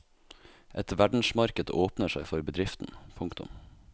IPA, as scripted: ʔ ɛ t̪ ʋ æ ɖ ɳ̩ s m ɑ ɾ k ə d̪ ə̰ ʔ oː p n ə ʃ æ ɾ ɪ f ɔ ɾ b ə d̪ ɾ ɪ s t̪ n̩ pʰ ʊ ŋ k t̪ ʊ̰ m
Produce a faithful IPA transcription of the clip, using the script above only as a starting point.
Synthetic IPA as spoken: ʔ ɛ t̪ ʋ æ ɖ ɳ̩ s m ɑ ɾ k ə d̪ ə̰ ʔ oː p n ə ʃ æ ɪ f ɔ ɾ b ə d̪ ɾ ɪ f t̪ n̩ pʰ ʊ ŋ k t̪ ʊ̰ m